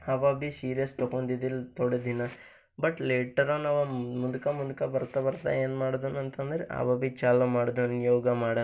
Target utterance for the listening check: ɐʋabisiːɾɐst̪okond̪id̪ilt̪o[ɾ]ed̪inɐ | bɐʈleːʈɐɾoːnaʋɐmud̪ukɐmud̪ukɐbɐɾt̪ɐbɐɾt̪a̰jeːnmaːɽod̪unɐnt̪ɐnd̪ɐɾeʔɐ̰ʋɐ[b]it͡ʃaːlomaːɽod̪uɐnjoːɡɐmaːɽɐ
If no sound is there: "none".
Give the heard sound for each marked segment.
ɽ, b

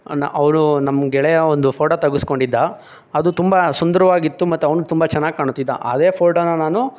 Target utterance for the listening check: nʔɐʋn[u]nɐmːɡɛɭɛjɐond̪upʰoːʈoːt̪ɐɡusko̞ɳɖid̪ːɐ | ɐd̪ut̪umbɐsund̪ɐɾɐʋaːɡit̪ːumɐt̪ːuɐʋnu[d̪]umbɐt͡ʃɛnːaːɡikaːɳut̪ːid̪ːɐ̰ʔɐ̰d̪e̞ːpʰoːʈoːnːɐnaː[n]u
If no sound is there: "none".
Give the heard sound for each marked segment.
u, t̪, n

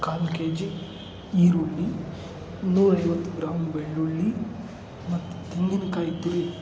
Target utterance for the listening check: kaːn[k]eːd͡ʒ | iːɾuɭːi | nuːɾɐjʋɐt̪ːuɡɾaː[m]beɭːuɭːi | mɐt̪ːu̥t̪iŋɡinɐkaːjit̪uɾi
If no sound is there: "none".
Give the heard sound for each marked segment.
k, m

